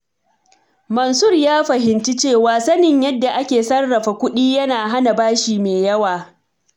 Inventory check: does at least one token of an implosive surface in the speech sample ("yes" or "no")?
yes